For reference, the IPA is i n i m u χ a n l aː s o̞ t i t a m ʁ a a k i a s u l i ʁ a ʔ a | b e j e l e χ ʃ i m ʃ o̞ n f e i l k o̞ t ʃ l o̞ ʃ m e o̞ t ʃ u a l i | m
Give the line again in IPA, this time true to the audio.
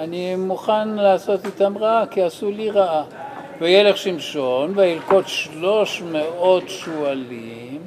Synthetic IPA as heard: a n i m u χ a n l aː s o̞ t i t a m ʁ a a k i a s u l i ʁ a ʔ a | v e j e l e χ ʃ i m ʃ o̞ n v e i l k o̞ t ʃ l o̞ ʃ m e o̞ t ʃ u a l i | m